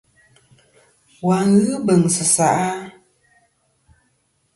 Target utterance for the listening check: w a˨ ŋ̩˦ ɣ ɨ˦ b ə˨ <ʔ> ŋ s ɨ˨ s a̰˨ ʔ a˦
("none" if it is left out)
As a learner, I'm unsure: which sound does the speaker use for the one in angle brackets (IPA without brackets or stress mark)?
none